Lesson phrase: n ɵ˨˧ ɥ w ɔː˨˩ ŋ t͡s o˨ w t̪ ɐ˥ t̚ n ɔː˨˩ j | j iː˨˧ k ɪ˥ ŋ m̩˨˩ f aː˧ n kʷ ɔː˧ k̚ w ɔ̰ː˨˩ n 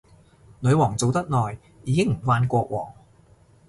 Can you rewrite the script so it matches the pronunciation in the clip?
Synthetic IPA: n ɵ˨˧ ɥ w ɔː˨˩ ŋ t͡s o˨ w t̪ ɐ˥ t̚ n ɔː˨˩ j | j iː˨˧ k ɪ˥ ŋ m̩˨˩ f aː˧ n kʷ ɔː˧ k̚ w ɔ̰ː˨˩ ŋ